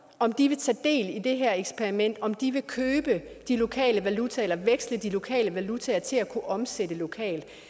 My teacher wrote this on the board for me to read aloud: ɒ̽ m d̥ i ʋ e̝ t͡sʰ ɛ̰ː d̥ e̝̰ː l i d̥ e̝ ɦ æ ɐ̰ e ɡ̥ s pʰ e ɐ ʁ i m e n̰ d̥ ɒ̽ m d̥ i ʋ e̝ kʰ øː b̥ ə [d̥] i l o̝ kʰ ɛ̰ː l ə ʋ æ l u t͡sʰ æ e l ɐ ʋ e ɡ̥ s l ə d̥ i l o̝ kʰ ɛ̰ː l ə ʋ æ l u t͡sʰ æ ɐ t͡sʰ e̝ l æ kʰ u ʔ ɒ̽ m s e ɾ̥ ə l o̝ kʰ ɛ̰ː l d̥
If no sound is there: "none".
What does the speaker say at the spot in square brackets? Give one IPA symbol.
d̥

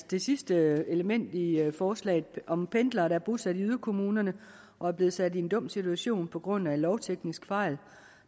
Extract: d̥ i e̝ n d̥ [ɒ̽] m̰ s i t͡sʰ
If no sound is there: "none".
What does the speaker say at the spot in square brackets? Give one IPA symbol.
ɔ̽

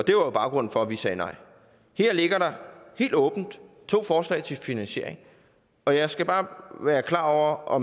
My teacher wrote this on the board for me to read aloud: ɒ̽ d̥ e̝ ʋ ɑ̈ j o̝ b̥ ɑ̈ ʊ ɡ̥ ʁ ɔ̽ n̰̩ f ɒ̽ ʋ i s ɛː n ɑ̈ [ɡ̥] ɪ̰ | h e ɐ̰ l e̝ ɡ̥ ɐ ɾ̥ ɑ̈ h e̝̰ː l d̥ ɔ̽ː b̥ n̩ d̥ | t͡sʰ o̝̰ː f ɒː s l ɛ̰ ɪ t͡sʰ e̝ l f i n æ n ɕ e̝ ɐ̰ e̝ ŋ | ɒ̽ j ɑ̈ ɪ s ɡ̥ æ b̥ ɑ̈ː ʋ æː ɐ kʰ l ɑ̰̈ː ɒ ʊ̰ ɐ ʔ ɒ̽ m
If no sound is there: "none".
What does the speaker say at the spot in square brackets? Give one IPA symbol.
none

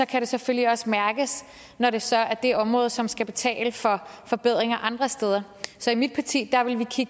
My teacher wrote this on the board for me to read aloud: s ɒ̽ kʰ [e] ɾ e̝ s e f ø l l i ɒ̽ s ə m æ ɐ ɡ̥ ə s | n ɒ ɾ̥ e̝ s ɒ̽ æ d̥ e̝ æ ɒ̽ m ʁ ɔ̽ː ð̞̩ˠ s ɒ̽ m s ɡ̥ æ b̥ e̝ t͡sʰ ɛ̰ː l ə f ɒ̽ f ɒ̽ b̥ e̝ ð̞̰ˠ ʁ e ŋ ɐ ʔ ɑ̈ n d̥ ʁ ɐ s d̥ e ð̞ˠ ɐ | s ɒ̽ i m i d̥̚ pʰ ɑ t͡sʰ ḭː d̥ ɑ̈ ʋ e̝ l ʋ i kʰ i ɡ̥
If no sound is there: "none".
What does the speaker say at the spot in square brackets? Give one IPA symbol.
æ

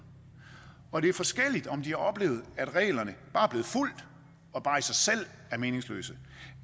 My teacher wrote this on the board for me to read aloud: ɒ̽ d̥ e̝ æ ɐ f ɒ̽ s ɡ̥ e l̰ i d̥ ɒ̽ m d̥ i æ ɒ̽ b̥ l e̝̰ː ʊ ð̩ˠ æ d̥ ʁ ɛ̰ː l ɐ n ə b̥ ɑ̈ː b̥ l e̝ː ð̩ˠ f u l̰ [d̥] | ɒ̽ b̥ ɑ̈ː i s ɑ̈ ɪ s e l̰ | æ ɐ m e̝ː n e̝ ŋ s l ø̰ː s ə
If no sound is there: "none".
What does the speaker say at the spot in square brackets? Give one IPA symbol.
d̥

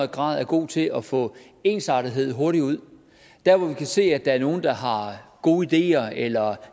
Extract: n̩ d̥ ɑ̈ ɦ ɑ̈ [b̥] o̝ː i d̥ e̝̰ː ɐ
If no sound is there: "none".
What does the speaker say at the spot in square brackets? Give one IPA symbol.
ɡ̥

